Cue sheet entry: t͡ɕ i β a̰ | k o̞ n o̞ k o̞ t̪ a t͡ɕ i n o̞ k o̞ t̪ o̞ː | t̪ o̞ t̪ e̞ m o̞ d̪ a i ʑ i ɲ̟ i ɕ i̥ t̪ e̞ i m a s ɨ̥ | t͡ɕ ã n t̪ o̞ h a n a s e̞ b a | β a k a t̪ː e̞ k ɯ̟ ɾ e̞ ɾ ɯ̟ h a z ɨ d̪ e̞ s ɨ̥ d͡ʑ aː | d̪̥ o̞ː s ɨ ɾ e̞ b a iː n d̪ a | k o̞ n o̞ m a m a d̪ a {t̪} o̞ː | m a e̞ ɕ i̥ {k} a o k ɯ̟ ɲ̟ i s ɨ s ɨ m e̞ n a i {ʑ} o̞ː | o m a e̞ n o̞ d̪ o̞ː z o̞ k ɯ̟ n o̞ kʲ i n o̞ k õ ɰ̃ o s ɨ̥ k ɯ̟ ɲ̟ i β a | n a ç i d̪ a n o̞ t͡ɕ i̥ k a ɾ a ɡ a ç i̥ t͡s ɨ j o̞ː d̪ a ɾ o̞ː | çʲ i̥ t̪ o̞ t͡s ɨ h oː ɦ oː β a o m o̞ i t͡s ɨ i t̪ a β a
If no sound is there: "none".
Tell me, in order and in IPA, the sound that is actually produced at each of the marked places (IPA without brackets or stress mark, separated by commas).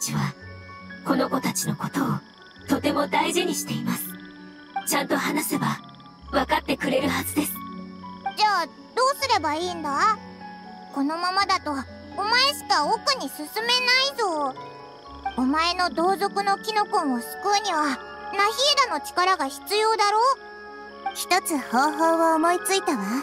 t̪, k, z